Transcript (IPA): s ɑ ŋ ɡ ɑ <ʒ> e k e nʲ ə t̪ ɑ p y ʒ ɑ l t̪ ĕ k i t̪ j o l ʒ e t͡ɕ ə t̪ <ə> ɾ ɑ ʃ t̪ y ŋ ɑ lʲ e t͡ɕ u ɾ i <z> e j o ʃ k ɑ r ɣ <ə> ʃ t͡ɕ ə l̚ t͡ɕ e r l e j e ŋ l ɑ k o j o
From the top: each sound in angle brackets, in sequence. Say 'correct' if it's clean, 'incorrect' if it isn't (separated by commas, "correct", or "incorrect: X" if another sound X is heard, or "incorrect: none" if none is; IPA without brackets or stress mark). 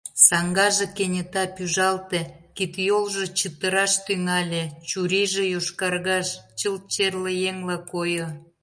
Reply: correct, correct, incorrect: ʒ, incorrect: ɑ